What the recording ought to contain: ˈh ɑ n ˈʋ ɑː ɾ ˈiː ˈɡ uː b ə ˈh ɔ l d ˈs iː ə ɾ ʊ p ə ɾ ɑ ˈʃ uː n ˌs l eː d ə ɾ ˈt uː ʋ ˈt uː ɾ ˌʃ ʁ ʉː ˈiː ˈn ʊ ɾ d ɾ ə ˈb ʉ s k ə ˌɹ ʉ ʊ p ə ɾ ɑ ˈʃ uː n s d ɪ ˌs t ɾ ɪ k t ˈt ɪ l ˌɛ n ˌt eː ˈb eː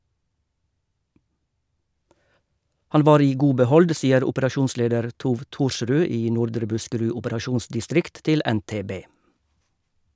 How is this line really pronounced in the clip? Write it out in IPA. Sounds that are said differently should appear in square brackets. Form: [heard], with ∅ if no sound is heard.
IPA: ˈh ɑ n ˈʋ ɑː ɾ ˈiː ˈɡ uː b ə ˈh ɔ l d ˈs iː ə ɾ ʊ p ə ɾ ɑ ˈʃ uː n ˌs l eː d ə ɾ ˈt uː ʋ ˈt uː ɾ ˌʃ ʁ ʉː ˈiː ˈn ʊ ɾ d ɾ ə ˈb ʉ s k ə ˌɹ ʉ ʊ p ə ɾ ɑ ˈʃ uː n s d ɪ ˌs t ɾ ɪ k t ˈt ɪ l ˌɛ n ˌt eː ˈb eː